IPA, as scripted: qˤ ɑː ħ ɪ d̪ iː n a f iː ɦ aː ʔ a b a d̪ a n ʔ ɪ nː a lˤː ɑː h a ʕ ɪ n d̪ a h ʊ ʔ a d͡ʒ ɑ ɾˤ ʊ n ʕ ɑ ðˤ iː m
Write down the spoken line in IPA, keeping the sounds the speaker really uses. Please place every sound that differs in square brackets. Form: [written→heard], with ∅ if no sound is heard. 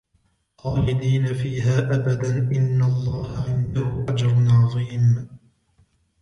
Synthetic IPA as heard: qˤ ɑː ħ ɪ d̪ iː n a f iː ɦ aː ʔ a b a d̪ a n ʔ ɪ nː a lˤː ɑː h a ʕ ɪ n d̪ a h ʊ ʔ a d͡ʒ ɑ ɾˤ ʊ n ʕ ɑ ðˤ iː m